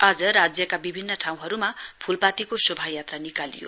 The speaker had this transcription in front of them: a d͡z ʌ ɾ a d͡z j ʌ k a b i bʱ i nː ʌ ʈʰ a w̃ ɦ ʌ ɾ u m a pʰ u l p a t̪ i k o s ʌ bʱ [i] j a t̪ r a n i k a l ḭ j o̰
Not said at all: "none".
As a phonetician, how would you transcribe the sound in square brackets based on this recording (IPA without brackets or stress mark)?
a